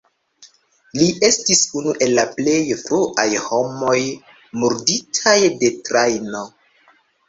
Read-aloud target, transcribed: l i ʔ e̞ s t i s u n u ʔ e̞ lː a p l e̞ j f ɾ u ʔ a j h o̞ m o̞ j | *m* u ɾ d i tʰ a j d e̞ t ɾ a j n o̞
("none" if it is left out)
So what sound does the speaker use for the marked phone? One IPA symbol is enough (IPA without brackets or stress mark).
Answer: m